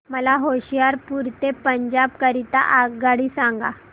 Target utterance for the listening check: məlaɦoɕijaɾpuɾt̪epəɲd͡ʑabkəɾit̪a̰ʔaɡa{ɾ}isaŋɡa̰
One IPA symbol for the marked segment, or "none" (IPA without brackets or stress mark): ɽ